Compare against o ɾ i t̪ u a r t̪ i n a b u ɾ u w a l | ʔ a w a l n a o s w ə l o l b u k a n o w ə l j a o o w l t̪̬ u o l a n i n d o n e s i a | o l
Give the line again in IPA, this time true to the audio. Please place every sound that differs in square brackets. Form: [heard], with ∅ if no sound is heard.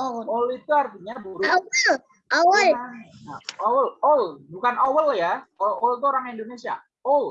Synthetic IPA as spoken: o [l] i t̪ u a r t̪ i [ɲ] a b u ɾ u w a l | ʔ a w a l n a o [∅] w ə l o l b u k a n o w ə l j a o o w l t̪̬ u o [ɾ] a [ŋ] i n d o n e s i a | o l

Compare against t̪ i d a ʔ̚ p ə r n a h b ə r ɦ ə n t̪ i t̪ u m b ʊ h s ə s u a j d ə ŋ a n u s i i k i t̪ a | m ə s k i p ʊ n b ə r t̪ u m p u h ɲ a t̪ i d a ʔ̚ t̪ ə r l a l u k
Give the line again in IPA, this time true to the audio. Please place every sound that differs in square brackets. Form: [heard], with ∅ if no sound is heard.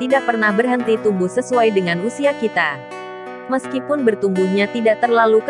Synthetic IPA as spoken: t̪ i d a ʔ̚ p ə r n a h b ə r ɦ ə n t̪ i t̪ u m b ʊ h s ə s u a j d ə ŋ a n u s i [a] k i t̪ a | m ə s k i p ʊ n b ə r t̪ u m [b] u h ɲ a t̪ i d a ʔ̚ t̪ ə r l a l u k

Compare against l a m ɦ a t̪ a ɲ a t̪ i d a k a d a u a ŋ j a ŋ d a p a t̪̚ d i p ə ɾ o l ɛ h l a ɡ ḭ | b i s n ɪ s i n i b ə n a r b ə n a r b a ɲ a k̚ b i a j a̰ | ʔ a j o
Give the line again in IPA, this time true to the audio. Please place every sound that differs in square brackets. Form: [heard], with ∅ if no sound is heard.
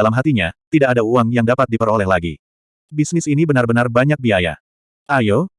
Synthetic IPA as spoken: l a m ɦ a t̪ [i] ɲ a t̪ i d a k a d a u a ŋ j a ŋ d a p a t̪̚ d i p ə ɾ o l ɛ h l a ɡ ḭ | b i s n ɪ s i n i b ə n a r b ə n a r b a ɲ a k̚ b i a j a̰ | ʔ a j o

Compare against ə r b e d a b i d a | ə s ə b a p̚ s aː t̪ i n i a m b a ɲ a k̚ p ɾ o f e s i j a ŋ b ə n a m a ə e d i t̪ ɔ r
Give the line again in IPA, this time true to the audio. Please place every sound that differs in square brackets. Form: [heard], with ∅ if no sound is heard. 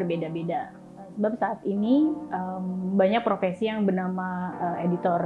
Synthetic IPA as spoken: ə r b e d a b [e] d a | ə s ə b a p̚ s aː t̪ i n i [ə] m b a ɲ a k̚ p ɾ o f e s i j a ŋ b ə n a m a ə e d i t̪ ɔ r

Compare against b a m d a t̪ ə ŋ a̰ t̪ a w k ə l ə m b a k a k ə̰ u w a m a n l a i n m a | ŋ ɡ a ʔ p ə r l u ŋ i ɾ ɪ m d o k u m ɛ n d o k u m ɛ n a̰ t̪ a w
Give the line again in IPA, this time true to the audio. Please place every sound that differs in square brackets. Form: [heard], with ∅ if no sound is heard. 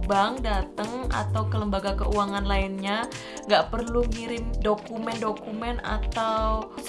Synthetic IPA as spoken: b a [ŋ] d a t̪ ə ŋ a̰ t̪ a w k ə l ə m b a [ɡ] a k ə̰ u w a [ŋ] a n l a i n [ɲ] a | ŋ ɡ a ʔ p ə r l u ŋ i ɾ ɪ m d o k u m ɛ n d o k u m ɛ n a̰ t̪ a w

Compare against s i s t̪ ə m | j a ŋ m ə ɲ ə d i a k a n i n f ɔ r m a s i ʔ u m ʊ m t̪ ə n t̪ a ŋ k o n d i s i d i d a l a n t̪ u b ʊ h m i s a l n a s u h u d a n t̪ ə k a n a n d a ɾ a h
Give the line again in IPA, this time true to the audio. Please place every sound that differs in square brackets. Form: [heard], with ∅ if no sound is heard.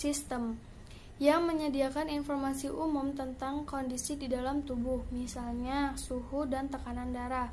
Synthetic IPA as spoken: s i s t̪ ə m | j a ŋ m ə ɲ ə d i a k a n i n f ɔ r m a s i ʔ u m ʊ m t̪ ə n t̪ a ŋ k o n d i s i d i d a l a [m] t̪ u b ʊ h m i s a l [ɲ] a s u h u d a n t̪ ə k a n a n d a ɾ a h

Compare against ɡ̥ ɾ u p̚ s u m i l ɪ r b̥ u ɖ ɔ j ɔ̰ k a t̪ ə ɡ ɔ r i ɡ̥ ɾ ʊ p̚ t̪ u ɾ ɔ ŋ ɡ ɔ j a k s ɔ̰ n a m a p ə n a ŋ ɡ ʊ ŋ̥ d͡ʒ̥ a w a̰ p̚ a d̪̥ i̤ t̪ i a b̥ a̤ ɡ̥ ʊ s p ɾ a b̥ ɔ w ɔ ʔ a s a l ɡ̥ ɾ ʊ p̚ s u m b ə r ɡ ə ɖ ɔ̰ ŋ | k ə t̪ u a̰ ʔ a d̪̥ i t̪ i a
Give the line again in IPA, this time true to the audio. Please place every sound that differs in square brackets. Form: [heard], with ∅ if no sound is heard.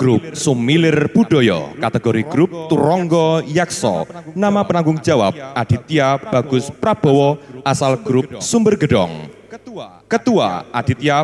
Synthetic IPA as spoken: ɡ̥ ɾ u p̚ s u m i l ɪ r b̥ u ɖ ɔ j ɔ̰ k a t̪ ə ɡ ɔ [ɾ] i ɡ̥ ɾ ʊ p̚ t̪ u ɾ ɔ ŋ ɡ ɔ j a k s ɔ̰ n a m a p ə n a ŋ ɡ ʊ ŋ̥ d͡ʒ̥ a w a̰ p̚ a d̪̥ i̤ t̪ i a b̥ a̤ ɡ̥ ʊ s p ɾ a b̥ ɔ w ɔ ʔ a s a l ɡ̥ ɾ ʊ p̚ s u m b ə r ɡ ə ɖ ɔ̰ ŋ | k ə t̪ u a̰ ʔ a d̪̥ i t̪ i a

